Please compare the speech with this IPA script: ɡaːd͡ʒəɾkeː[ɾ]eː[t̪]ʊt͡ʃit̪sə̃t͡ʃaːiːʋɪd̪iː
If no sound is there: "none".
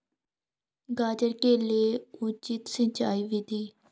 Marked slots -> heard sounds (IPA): l, none

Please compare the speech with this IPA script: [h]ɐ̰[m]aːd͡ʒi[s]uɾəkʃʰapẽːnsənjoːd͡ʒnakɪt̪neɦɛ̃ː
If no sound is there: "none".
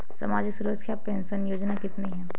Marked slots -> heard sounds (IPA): s, m, s

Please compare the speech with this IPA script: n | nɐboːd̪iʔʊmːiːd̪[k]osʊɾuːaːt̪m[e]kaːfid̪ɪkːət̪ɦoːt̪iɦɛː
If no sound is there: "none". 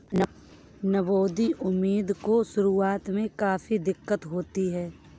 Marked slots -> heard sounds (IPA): k, ẽ

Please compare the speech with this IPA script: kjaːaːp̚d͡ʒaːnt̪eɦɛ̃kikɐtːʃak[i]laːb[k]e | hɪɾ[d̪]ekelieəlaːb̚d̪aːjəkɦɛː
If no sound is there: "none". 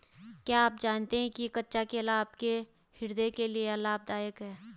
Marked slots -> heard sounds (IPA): e, k, d̪

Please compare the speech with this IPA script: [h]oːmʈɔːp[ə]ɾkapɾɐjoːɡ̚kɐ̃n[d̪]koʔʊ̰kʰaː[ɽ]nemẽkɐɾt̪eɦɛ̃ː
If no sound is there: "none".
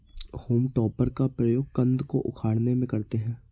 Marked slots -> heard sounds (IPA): h, ə, d̪, ɽ

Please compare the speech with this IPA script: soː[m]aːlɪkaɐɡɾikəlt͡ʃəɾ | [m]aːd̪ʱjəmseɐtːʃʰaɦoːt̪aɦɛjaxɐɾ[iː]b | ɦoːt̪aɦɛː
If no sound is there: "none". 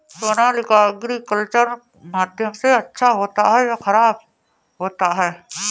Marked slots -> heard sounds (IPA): n, m, aː

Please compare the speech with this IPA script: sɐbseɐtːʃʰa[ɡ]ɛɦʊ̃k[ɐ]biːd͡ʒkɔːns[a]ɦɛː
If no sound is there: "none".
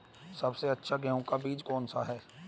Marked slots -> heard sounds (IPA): ɡ, a, a

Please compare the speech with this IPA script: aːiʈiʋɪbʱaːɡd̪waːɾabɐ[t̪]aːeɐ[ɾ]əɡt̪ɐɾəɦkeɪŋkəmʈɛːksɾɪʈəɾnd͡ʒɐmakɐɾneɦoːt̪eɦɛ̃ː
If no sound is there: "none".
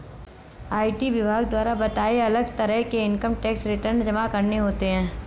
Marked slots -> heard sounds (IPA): t̪, l

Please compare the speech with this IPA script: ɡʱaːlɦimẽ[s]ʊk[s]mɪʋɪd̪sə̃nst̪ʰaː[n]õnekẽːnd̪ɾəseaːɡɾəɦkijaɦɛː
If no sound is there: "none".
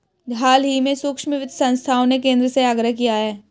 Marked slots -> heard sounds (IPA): s, ʃ, none

